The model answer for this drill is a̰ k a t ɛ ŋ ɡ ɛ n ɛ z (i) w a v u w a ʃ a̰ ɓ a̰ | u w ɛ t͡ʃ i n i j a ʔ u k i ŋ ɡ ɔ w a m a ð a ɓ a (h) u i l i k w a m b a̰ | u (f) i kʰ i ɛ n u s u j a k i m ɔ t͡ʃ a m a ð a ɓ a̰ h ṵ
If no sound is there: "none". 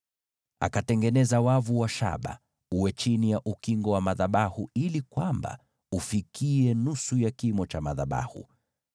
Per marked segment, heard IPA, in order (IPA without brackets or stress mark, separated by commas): a, h, f